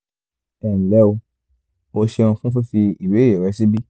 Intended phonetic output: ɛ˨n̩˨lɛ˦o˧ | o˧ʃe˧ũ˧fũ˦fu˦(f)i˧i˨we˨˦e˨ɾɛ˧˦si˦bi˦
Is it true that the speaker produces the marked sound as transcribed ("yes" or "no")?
yes